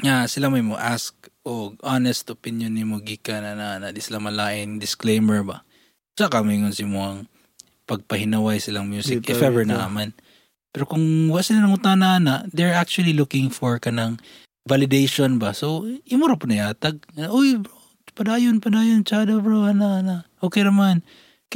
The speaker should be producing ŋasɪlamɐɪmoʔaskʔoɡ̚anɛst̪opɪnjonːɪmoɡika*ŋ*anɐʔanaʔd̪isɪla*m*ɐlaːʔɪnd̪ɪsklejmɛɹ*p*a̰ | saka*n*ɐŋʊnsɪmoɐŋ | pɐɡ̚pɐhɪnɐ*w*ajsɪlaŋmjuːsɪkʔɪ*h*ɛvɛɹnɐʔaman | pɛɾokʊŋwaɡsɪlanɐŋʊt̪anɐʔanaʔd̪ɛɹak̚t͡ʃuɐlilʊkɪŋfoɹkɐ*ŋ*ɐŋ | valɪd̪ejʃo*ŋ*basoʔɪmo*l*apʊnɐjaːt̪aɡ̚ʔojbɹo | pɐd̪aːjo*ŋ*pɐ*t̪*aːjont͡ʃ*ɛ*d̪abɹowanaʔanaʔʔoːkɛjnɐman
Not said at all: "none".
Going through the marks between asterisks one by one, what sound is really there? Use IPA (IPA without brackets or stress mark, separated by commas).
n, m, b, m, w, f, n, n, ɾ, n, d̪, a